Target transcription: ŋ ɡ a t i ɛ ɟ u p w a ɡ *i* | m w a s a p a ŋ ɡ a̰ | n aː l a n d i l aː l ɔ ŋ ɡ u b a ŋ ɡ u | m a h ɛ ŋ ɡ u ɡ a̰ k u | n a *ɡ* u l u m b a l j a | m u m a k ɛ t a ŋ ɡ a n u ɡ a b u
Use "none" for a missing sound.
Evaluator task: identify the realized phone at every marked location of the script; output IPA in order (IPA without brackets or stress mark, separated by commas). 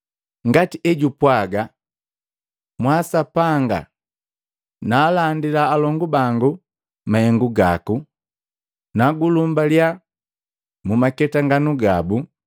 a, ɡ